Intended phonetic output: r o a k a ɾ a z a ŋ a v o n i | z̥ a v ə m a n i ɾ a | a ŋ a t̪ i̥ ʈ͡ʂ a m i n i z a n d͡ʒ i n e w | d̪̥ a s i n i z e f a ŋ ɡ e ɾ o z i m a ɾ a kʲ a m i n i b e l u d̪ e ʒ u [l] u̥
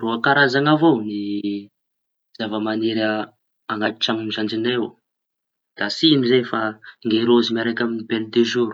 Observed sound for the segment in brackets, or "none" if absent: ɾ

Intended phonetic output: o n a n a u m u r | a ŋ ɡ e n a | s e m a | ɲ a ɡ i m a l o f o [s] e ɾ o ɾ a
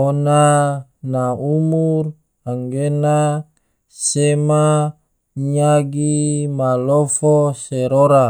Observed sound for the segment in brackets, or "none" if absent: s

